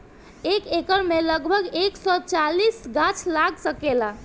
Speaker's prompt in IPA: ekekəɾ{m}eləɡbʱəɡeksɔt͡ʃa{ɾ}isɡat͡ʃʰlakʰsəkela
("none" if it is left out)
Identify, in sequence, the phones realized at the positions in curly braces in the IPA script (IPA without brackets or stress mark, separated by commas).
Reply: m, l